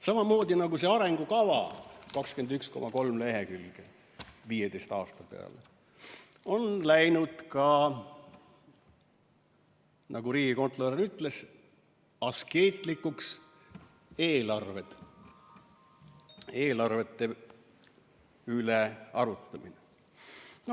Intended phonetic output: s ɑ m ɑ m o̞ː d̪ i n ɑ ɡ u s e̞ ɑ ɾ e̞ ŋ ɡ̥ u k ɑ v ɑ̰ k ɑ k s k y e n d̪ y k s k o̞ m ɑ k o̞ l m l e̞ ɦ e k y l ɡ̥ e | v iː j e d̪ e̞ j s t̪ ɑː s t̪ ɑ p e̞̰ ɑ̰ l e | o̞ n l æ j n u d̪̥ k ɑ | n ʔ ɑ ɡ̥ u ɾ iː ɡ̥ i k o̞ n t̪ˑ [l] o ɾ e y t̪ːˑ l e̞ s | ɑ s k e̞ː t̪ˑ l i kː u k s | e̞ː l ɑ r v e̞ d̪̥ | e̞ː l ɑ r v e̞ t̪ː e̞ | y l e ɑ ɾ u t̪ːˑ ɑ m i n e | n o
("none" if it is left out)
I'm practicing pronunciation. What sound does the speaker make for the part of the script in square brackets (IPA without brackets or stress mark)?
l